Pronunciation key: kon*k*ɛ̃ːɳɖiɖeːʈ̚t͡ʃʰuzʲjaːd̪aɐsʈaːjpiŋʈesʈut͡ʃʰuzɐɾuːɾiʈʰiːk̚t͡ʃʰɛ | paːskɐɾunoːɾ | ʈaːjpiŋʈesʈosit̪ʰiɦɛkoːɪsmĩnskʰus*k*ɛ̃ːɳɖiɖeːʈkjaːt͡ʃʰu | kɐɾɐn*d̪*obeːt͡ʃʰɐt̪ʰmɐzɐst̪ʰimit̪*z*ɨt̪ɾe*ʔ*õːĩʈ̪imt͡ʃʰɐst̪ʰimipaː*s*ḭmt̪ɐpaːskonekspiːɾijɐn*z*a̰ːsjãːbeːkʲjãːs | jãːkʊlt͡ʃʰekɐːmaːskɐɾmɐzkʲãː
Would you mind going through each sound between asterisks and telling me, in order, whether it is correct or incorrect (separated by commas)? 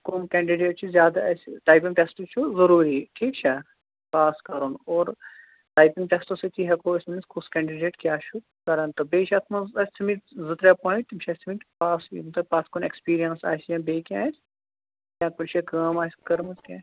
correct, correct, incorrect, correct, incorrect, correct, incorrect